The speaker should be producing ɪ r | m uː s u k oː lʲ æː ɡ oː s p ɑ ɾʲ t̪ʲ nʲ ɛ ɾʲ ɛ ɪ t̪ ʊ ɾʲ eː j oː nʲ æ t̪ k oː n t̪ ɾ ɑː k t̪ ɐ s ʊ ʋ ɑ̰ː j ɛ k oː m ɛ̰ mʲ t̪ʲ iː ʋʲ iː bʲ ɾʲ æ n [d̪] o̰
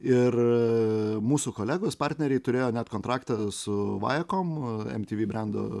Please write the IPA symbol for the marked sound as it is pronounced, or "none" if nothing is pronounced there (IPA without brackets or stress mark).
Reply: d̪